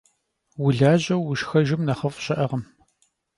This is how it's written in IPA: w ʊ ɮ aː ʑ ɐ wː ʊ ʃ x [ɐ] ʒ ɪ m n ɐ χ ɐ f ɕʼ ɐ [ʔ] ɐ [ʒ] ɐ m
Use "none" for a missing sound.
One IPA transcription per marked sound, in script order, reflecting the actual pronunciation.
ɐ, ʔ, ʁ

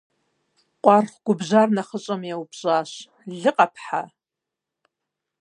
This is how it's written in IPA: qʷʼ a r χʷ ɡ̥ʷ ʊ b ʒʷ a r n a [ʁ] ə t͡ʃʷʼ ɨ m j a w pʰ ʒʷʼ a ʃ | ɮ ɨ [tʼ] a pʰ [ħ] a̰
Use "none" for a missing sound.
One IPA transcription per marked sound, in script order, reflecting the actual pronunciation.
χ, qʼ, ħ

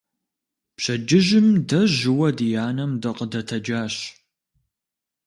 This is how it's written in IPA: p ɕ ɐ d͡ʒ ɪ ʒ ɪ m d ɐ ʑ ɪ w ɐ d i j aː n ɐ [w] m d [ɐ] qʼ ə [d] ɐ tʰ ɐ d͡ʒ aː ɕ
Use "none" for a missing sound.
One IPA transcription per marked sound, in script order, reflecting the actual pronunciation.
none, ɐ, d

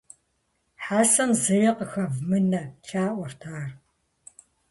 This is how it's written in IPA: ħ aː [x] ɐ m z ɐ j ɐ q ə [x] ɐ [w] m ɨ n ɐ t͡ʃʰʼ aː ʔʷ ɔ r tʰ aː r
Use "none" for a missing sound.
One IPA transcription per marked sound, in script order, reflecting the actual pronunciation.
s, x, v

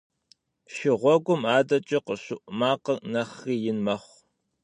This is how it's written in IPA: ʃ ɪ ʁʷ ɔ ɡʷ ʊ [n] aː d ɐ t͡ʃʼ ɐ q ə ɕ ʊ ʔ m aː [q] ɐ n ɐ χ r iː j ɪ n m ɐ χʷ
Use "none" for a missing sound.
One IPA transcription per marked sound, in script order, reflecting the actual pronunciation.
m, q

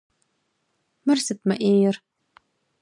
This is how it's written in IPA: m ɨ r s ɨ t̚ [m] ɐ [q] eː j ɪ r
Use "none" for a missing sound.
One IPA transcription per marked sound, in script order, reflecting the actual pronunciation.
m, ʔ

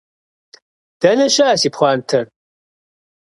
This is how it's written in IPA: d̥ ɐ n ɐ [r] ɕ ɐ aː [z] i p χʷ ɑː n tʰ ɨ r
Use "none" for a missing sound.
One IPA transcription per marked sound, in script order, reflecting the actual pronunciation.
none, s

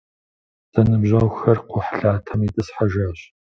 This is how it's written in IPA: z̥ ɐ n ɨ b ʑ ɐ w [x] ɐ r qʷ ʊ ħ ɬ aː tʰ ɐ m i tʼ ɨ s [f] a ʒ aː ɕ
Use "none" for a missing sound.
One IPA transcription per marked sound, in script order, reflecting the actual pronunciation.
x, ħ

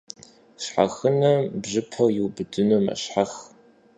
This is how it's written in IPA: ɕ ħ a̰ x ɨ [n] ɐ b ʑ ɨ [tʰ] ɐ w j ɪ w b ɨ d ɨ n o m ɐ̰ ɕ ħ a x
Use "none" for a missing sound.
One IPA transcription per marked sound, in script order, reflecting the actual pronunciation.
n, pʰ

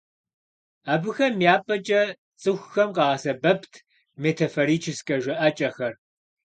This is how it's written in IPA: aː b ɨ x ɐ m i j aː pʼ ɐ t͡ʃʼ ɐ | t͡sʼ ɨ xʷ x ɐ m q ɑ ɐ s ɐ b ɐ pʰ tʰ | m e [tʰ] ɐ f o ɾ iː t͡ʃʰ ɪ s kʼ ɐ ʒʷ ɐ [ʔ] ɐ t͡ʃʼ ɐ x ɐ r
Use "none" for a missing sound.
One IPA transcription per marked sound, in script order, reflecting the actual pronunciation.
tʰ, ʔ

